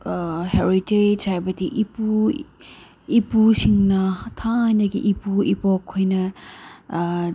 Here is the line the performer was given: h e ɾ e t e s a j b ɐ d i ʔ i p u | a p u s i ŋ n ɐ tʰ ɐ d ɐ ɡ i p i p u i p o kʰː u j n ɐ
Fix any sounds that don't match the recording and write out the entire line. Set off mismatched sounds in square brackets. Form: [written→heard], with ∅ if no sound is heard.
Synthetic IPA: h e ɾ [e→i] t e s a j b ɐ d i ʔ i p u | [a→i] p u s i ŋ n ɐ tʰ [ɐ→a] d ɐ ɡ i [p→ʔ] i p u i p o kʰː [u→o] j n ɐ